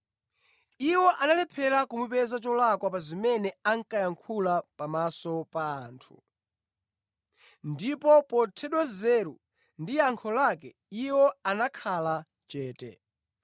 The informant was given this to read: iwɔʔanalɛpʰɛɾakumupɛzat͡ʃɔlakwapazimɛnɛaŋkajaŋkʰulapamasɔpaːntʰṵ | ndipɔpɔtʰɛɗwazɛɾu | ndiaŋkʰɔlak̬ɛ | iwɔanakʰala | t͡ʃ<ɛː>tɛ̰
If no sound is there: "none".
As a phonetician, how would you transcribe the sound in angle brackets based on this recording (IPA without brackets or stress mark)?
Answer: ɛː